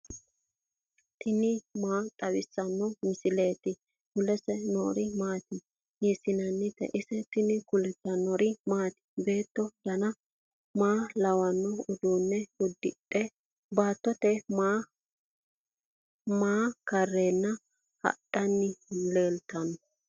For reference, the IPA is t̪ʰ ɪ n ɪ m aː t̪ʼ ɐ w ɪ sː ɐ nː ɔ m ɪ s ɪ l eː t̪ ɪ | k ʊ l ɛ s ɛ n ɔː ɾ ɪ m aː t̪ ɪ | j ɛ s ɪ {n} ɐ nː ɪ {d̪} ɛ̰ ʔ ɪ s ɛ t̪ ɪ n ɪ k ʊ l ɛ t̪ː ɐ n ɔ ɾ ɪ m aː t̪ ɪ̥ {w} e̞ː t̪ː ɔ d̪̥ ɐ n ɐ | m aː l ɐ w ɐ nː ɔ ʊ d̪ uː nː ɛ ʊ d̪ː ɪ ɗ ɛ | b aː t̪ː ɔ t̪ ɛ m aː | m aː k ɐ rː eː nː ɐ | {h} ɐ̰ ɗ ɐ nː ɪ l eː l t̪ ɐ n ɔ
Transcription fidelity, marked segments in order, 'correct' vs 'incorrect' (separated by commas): correct, incorrect, incorrect, correct